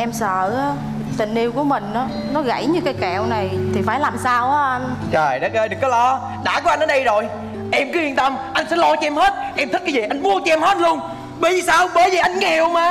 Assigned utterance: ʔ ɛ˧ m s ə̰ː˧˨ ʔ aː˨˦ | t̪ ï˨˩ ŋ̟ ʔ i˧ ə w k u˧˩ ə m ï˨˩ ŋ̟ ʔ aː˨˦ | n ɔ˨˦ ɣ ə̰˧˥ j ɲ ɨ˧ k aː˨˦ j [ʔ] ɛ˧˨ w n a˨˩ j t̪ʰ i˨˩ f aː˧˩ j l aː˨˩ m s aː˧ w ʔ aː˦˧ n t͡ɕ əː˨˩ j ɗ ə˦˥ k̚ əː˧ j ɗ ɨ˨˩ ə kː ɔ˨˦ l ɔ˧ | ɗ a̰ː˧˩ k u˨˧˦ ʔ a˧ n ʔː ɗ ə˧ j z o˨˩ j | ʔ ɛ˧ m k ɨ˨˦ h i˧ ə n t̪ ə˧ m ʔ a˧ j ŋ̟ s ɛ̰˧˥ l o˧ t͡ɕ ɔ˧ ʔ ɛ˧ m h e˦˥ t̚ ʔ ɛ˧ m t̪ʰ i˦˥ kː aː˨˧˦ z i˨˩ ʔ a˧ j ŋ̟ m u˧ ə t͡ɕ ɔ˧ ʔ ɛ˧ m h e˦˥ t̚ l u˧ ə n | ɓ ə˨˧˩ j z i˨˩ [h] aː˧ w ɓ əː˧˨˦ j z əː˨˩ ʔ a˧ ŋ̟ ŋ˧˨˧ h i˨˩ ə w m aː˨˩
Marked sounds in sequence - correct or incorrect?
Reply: incorrect: k, incorrect: s

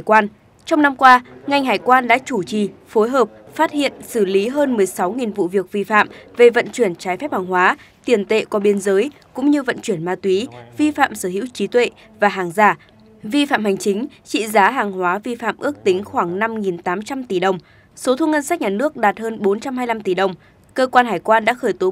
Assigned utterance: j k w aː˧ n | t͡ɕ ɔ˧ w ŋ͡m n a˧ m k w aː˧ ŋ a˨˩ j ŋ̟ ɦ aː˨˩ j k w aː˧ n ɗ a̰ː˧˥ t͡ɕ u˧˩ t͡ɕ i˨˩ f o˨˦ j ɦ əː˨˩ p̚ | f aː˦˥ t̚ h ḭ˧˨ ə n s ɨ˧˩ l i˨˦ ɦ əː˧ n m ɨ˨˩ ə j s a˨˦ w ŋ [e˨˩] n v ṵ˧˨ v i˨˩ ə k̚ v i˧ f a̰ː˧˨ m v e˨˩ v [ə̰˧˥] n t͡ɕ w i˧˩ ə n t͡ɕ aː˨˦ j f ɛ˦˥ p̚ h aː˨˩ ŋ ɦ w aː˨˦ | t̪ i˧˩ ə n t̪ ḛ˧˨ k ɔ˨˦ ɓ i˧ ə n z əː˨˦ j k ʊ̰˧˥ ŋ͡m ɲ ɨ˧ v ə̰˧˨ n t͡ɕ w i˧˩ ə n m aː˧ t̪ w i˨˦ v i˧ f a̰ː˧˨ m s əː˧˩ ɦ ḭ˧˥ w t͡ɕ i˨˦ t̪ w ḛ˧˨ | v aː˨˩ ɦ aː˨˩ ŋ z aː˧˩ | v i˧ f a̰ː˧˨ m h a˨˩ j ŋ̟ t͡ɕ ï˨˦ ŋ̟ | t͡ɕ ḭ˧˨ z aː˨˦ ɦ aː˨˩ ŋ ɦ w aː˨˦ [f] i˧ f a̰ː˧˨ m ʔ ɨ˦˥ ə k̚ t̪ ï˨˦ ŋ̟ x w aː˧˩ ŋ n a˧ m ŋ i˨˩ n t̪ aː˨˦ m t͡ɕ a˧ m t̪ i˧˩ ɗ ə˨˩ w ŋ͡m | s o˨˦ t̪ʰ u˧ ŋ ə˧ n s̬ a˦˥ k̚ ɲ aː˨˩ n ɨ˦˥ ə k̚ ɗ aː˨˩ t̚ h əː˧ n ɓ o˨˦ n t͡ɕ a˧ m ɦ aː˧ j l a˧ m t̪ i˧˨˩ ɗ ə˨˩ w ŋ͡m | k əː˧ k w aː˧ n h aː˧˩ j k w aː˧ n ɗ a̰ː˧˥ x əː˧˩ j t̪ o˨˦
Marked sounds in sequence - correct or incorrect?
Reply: incorrect: i˨˩, incorrect: ə̰˧˨, incorrect: v

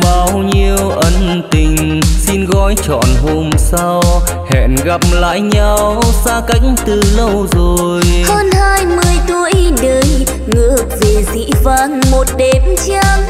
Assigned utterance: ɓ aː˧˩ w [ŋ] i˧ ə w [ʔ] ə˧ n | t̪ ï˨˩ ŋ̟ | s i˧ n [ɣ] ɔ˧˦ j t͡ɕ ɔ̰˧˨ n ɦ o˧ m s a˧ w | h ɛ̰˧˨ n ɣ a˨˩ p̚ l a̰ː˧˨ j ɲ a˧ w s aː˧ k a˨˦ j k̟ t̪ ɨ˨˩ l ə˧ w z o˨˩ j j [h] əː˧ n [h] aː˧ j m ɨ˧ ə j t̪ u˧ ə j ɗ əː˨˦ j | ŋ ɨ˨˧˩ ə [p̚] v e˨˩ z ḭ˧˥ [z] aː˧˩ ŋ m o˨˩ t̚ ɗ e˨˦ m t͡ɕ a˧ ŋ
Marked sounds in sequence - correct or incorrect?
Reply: incorrect: ɲ, correct, correct, correct, correct, incorrect: k̚, incorrect: v

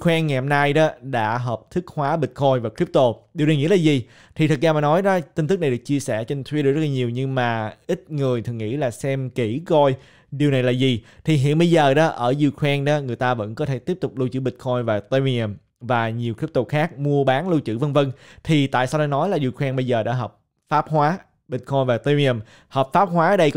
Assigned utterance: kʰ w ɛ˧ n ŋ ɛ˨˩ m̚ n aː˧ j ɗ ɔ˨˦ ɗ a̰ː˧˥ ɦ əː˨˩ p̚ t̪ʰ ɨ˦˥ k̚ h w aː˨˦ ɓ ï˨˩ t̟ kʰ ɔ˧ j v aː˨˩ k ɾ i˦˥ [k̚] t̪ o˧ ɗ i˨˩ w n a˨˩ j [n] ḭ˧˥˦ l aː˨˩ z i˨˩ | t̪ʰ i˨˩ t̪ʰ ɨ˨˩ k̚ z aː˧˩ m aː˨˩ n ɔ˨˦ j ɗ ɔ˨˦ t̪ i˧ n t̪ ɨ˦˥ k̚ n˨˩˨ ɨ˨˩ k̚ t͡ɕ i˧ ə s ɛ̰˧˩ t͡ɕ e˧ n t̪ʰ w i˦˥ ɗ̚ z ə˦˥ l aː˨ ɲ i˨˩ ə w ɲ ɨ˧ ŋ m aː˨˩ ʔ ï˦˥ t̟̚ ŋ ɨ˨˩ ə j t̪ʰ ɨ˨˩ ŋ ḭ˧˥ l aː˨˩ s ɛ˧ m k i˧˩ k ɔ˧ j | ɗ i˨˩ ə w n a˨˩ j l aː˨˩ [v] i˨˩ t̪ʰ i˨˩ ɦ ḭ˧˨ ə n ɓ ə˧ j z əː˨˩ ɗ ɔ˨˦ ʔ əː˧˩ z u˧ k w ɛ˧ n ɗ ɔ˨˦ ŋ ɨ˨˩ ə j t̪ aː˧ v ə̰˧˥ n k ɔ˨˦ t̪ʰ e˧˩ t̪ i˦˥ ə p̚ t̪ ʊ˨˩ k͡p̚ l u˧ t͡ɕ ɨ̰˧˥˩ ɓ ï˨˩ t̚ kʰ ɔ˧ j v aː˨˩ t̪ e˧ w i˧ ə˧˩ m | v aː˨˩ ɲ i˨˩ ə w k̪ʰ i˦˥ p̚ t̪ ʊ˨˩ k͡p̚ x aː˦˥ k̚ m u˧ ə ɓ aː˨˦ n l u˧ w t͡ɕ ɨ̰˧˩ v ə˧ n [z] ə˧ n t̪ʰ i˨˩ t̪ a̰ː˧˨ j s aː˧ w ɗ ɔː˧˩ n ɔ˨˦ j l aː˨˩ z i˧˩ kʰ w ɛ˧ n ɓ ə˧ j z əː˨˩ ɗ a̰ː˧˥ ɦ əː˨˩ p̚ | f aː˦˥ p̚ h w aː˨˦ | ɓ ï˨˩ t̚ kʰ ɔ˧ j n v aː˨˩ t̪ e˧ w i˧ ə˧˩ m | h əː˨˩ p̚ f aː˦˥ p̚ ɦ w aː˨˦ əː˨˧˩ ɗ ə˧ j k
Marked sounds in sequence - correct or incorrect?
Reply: incorrect: p̚, incorrect: ŋ, incorrect: z, incorrect: v

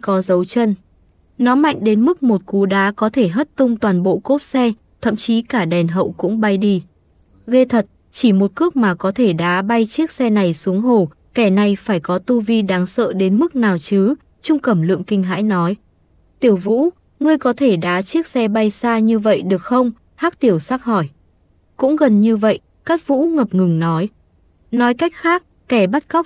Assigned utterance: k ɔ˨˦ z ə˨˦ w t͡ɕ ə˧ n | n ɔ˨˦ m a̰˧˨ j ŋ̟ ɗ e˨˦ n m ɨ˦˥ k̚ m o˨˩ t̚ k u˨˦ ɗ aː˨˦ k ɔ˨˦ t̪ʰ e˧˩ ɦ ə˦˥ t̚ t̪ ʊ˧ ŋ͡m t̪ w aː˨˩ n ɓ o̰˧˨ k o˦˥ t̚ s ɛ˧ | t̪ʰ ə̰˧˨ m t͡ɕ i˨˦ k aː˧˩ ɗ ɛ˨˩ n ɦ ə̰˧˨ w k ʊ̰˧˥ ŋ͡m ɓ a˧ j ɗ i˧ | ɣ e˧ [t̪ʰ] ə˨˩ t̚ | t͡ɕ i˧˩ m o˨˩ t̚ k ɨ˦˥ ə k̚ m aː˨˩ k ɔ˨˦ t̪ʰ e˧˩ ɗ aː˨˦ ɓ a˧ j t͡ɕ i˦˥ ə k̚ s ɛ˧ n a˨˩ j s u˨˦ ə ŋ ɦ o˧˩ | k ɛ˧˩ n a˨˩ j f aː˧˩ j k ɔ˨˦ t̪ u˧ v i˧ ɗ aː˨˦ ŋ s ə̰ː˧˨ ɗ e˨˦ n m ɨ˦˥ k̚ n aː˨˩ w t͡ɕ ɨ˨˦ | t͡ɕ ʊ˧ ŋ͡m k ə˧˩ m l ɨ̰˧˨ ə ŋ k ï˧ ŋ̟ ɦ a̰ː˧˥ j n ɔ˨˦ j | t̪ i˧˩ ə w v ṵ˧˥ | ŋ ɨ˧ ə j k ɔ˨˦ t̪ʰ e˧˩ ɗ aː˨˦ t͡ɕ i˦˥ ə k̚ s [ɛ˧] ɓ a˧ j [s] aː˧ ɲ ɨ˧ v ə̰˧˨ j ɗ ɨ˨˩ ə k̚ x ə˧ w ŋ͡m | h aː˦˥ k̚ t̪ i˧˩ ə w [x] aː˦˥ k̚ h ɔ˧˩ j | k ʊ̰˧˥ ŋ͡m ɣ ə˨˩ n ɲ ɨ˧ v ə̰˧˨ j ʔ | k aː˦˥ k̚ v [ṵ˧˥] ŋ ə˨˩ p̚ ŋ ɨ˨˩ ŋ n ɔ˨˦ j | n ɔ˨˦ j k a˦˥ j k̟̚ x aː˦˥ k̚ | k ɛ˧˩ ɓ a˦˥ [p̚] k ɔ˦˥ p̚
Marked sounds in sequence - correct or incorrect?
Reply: correct, correct, correct, incorrect: s, correct, incorrect: t̚

